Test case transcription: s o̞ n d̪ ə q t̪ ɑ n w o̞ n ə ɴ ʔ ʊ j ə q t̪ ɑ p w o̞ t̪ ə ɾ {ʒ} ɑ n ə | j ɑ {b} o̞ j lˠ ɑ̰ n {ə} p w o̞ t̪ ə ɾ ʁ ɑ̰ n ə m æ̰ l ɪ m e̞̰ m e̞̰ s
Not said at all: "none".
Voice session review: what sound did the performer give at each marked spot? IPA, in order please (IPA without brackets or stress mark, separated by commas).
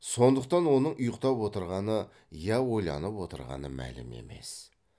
ʁ, w, ə